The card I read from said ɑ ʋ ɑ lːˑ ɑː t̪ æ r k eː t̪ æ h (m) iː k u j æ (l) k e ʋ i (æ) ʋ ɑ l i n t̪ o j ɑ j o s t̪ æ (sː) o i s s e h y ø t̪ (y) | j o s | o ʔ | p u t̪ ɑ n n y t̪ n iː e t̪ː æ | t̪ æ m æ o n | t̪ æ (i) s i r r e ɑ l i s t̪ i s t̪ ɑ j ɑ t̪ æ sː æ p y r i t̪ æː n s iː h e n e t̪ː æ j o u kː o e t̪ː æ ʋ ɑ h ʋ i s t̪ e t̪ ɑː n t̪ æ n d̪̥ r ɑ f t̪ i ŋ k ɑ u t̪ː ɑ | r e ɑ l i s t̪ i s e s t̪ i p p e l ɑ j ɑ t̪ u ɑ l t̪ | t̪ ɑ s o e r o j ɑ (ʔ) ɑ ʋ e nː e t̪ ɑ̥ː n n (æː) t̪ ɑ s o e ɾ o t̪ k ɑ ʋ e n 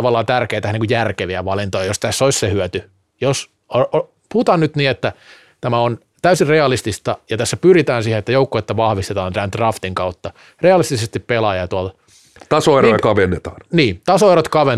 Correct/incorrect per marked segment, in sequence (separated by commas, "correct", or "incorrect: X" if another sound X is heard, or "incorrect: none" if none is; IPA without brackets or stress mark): incorrect: n, incorrect: r, correct, correct, correct, incorrect: y, incorrect: k, incorrect: iː